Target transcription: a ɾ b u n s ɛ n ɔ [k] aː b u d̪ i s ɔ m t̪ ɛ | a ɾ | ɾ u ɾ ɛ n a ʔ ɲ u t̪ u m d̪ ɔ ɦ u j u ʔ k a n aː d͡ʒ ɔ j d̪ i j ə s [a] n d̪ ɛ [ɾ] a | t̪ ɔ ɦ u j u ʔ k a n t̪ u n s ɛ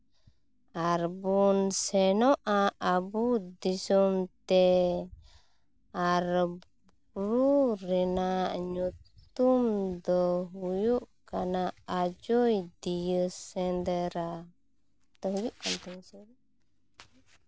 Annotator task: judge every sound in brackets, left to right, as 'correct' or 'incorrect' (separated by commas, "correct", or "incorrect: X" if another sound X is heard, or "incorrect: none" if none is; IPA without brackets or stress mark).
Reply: incorrect: ʔ, incorrect: ɛ, correct